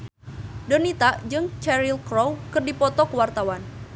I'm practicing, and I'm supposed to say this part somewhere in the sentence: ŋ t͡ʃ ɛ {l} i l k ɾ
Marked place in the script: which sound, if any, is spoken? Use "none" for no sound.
ɾ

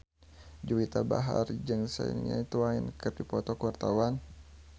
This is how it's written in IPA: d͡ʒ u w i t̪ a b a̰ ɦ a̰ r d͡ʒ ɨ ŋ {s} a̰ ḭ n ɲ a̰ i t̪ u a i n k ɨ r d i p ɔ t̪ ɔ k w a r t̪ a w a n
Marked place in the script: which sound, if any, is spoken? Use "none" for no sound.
s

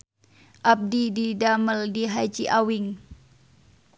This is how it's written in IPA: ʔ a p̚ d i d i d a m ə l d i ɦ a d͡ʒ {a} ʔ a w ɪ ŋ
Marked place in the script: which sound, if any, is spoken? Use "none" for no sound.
i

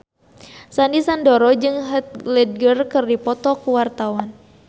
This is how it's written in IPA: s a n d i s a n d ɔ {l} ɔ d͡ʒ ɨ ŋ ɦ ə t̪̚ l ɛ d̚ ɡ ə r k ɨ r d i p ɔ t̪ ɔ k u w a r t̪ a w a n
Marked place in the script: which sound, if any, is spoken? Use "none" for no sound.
ɾ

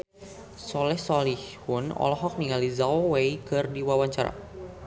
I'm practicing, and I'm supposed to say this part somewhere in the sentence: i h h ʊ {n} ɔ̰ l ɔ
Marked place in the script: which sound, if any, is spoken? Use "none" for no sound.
n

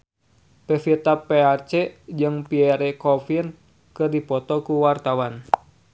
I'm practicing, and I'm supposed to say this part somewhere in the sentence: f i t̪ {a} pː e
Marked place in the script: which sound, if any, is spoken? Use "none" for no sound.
a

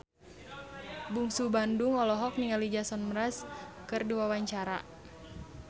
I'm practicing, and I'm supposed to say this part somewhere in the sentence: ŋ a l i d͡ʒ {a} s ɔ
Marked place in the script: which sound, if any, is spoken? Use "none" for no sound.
a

